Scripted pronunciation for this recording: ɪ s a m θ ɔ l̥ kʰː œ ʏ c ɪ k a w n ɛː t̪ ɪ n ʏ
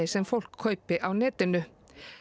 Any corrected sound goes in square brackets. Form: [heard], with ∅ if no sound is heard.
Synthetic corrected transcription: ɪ s [ɛ] m [f] ɔ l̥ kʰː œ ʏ [p] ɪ [ʔ] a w n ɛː t̪ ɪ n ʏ

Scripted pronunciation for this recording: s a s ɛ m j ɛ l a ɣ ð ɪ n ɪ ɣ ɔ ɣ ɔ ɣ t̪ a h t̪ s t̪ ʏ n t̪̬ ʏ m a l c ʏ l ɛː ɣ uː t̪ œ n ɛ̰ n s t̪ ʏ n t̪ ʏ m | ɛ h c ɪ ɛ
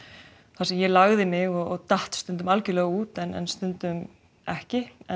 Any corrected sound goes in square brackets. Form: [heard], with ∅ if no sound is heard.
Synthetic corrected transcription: [θ] a s ɛ m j ɛ l a ɣ ð ɪ [m] ɪ ɣ ɔ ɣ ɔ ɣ t̪ a h t̪ s t̪ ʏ n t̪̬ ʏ m a l c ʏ l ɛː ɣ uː t̪ [ɛ] n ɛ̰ n s t̪ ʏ n t̪ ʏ m | ɛ h c ɪ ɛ

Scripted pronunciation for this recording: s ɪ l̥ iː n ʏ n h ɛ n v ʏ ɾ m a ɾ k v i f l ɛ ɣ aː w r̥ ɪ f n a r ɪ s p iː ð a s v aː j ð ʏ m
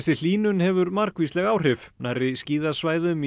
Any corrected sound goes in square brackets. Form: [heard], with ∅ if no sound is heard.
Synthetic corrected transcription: s ɪ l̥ iː n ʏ n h ɛ [∅] v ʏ ɾ m a ɾ k v i [s] l ɛ ɣ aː w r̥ ɪ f n a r ɪ s [c] iː ð a s v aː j ð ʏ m

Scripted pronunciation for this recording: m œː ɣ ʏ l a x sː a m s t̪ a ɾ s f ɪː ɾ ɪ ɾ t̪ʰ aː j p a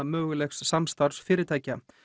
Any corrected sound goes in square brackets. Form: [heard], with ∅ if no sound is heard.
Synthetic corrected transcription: m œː ɣ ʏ l [ɛ] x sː a m s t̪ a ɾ s f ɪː ɾ ɪ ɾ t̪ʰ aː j [c] a

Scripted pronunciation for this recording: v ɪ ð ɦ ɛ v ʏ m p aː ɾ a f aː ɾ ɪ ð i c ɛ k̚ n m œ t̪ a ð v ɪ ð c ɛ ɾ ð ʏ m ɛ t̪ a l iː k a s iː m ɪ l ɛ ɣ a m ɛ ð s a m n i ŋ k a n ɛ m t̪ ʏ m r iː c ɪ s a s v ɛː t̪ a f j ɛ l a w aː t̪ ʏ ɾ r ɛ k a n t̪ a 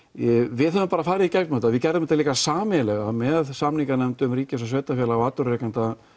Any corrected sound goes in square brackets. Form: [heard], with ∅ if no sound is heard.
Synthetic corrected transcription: v ɪ ð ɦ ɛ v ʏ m p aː ɾ a f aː ɾ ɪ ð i c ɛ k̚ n m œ t̪ a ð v ɪ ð c ɛ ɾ ð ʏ m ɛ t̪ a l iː k a s [aː] m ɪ l ɛ ɣ a m ɛ ð s a m n i ŋ k a n ɛ m t̪ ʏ m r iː c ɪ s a s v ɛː t̪ a f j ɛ l a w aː t̪ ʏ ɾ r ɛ k a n t̪ a

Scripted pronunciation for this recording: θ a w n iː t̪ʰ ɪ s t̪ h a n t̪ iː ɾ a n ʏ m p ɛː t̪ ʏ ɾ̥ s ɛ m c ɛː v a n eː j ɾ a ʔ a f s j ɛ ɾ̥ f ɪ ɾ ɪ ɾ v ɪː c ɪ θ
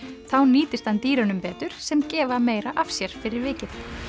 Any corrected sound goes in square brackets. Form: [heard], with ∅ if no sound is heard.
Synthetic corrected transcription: θ a w n iː [t̪] ɪ s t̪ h a n t̪ iː ɾ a n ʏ m p ɛː t̪ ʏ ɾ̥ s ɛ m c ɛː v a [m] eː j ɾ a ʔ a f s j ɛ ɾ̥ f ɪ ɾ ɪ ɾ v ɪː c ɪ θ

